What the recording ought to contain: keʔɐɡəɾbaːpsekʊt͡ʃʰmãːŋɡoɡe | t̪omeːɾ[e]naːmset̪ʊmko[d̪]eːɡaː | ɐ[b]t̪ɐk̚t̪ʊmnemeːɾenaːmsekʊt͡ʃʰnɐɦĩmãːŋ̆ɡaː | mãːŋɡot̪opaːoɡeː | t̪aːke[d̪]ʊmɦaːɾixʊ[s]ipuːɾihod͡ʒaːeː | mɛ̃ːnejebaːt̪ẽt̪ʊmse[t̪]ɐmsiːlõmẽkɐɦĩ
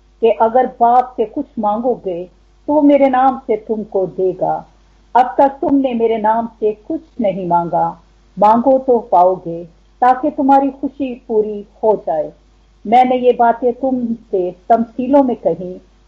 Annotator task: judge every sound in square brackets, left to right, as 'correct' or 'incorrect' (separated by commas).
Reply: correct, correct, correct, incorrect, incorrect, correct